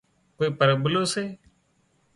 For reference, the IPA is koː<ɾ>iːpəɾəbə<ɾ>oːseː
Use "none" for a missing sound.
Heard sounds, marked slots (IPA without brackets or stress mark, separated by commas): none, l